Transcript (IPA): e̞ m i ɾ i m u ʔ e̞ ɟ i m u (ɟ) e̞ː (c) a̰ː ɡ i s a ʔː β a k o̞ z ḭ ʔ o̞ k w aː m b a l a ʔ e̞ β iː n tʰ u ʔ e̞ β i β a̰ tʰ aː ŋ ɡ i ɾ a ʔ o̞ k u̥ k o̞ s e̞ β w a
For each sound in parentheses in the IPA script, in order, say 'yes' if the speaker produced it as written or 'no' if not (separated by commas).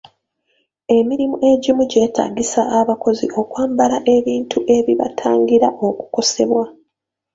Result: yes, no